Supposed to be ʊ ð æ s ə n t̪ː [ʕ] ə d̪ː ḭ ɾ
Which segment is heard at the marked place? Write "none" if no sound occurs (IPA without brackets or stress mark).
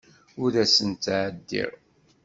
ʕ